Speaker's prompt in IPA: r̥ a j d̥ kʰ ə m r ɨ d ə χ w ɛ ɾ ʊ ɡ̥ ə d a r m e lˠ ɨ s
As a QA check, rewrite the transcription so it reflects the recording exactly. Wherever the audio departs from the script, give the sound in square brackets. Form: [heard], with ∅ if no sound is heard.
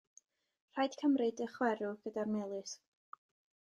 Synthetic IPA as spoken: r̥ a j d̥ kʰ ə m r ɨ d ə χ w ɛ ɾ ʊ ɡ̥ ə d a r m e lˠ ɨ s